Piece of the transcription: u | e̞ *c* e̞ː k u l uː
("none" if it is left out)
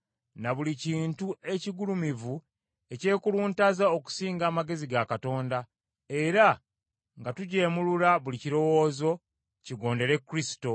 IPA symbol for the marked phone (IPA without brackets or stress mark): c